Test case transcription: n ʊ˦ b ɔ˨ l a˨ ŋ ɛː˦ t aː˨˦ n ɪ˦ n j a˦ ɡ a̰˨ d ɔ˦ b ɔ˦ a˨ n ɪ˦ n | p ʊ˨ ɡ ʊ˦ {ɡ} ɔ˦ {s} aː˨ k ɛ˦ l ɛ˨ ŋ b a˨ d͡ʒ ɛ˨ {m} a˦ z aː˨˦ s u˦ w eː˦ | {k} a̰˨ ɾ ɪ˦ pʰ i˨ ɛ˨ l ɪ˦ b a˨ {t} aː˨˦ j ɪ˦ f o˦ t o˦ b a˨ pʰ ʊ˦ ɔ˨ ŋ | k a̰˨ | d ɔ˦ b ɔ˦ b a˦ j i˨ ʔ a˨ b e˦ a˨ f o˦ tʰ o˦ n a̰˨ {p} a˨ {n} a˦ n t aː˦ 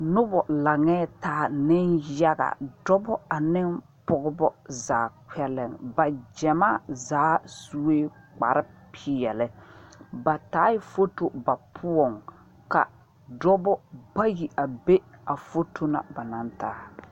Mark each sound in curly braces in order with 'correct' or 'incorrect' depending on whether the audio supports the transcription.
incorrect, incorrect, correct, incorrect, correct, incorrect, correct

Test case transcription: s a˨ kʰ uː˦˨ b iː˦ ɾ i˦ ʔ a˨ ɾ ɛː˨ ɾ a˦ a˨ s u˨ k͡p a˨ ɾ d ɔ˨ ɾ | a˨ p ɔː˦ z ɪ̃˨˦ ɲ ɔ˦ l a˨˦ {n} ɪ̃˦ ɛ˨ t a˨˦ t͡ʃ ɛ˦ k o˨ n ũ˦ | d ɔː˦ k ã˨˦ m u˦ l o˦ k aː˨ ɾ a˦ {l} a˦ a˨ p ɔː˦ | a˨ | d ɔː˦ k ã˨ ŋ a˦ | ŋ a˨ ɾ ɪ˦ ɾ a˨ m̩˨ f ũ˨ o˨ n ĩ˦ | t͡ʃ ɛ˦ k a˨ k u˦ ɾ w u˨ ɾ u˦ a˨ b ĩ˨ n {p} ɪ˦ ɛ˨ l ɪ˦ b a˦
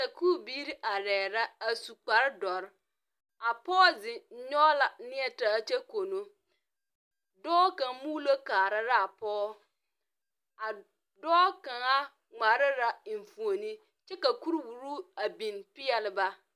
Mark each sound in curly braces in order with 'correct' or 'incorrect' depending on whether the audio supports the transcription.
correct, incorrect, correct

